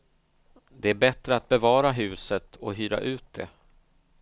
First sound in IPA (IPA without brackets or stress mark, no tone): d̪